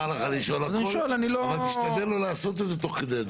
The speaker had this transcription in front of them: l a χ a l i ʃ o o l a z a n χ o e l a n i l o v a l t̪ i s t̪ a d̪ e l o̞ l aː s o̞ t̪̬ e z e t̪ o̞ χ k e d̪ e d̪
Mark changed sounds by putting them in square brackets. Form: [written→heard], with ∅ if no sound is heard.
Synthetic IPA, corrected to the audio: l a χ a l i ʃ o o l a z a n [χ→ʃ] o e l a n i l o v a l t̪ i [s→ʃ] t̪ a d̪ e l o̞ l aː s o̞ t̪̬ e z e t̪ o̞ χ k e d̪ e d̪